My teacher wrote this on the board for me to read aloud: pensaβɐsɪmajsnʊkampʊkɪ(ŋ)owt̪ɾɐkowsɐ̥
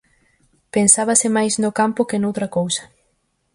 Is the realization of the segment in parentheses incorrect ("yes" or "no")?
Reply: yes